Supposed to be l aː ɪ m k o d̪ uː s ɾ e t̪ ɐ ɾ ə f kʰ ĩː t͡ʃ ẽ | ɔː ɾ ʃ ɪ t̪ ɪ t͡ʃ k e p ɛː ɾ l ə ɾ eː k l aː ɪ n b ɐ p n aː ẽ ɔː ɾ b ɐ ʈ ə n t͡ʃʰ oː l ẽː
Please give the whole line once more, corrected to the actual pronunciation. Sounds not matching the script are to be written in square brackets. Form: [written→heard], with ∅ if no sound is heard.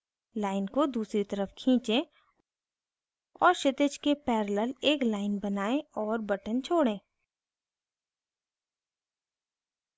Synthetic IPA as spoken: l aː ɪ [m→n] k o d̪ uː s ɾ [e→i] t̪ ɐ ɾ ə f kʰ ĩː t͡ʃ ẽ | ɔː ɾ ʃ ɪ t̪ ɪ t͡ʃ k e p ɛː ɾ l ə [ɾ→l] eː k l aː ɪ n b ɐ [p→∅] n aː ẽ ɔː ɾ b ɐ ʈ ə n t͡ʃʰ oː [l→ɽ] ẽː